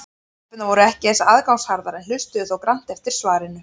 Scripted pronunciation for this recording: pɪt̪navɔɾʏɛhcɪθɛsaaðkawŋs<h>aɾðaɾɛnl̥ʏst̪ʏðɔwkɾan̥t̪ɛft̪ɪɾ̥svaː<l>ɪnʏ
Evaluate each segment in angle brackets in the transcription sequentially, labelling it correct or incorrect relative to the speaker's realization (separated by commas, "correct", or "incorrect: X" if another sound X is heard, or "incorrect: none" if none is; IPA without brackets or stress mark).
correct, incorrect: ɾ